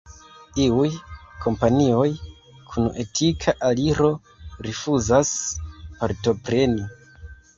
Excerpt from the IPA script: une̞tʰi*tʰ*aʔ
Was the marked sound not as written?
yes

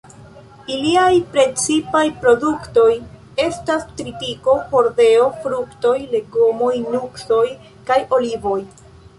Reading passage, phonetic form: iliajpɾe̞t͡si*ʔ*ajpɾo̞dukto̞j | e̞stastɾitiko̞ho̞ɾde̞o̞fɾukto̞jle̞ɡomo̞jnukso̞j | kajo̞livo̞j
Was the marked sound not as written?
yes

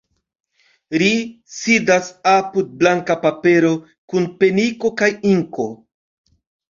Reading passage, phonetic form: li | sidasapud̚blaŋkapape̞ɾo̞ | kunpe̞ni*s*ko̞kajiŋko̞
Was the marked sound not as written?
yes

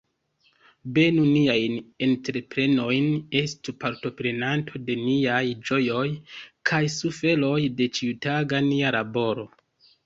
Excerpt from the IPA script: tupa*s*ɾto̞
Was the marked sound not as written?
yes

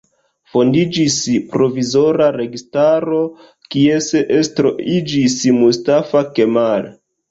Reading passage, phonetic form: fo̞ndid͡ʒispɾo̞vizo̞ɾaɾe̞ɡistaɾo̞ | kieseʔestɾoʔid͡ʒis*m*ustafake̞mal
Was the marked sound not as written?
no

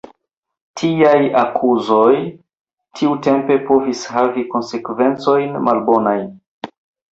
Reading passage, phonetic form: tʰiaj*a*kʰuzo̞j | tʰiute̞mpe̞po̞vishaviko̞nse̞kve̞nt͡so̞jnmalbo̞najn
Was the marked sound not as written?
no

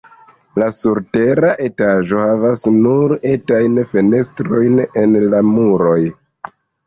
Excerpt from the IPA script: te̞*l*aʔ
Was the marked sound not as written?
yes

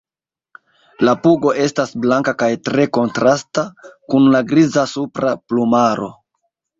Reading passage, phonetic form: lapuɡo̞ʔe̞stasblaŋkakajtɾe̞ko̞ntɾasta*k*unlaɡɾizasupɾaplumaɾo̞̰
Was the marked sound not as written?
no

